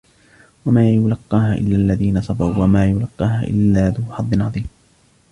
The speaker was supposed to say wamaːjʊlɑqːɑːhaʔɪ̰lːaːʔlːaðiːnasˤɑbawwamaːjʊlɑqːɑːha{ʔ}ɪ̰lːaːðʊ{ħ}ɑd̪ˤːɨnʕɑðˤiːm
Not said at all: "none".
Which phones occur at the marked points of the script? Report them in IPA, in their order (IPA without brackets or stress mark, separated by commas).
ʔ, ħ